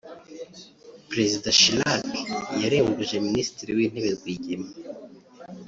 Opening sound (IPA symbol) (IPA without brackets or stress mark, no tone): p